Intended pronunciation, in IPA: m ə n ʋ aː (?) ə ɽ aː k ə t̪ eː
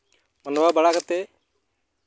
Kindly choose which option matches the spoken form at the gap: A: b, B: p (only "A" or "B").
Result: A